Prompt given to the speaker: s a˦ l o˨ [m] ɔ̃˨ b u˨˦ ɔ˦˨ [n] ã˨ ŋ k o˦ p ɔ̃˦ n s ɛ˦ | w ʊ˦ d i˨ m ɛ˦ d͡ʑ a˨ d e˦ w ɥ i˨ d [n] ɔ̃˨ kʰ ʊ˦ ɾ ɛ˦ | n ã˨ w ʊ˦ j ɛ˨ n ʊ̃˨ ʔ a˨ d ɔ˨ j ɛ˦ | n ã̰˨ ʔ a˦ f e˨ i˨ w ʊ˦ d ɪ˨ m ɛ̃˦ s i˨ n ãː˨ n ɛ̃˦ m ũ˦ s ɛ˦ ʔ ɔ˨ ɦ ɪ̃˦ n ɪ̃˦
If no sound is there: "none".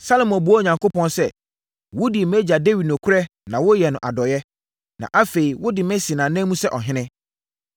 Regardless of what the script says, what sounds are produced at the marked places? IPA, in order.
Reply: m, ɲ, n

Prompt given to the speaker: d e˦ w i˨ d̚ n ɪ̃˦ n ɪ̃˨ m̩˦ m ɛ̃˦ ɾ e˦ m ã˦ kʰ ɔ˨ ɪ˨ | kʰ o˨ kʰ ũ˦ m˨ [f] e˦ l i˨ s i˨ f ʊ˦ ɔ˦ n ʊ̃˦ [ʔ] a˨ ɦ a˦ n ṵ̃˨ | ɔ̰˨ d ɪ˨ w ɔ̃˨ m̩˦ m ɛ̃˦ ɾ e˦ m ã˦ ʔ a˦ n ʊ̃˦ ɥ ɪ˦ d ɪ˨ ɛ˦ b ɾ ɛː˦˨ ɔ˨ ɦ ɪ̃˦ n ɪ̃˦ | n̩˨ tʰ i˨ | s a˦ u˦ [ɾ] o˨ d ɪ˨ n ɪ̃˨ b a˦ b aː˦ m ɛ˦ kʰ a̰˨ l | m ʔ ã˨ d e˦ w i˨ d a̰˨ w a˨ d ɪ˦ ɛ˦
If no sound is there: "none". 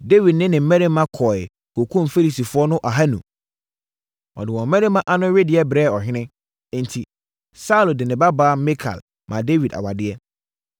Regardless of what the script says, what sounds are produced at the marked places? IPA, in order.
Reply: f, ʔ, l

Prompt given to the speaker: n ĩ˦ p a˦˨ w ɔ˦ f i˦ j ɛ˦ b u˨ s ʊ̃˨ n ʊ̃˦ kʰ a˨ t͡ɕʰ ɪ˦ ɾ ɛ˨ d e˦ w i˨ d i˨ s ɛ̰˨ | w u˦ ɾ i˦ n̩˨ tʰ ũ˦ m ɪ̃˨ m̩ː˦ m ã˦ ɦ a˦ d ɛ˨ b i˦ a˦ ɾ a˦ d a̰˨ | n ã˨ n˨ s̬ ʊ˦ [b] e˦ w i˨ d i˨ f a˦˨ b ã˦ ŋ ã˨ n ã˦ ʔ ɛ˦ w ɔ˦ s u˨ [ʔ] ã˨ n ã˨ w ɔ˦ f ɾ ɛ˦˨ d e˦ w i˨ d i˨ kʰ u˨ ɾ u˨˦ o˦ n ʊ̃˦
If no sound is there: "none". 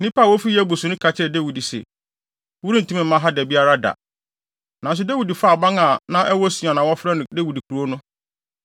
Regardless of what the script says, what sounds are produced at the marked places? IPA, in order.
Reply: d, none

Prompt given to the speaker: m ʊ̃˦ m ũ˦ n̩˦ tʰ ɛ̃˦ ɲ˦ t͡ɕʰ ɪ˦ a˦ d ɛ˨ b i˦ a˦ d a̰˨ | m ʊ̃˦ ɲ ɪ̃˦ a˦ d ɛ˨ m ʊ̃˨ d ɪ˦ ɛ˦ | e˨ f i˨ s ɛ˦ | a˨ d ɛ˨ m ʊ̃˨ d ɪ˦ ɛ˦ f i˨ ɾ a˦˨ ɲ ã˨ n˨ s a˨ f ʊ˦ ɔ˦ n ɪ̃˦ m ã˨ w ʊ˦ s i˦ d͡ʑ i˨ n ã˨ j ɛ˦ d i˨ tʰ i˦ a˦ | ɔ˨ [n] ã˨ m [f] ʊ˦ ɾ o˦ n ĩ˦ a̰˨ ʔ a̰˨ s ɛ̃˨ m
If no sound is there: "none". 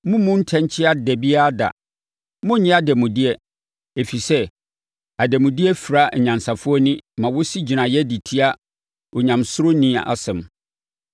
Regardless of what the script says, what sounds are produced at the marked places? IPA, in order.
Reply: ɲ, s

